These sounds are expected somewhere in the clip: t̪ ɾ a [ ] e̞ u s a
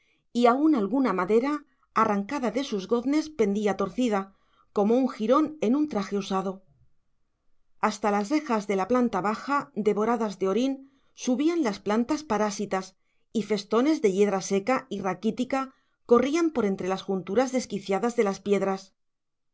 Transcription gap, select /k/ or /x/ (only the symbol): x